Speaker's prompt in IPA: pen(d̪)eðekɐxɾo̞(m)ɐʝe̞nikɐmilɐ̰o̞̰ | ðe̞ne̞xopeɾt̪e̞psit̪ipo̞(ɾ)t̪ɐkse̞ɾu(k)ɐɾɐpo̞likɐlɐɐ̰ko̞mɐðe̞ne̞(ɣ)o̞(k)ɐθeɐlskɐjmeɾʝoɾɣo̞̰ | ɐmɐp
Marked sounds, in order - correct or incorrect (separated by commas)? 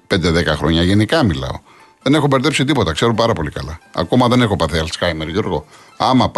correct, incorrect, incorrect, incorrect, incorrect, incorrect